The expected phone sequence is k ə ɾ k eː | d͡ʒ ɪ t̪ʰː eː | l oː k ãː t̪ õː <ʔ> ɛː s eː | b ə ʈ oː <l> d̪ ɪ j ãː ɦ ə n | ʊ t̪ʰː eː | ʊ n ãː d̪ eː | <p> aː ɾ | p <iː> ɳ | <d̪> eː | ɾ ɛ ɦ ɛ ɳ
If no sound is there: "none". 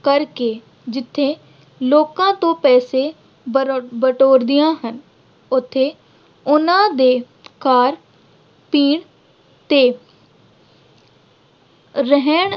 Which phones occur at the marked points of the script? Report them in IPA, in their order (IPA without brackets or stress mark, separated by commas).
p, ɾ, k, iː, t̪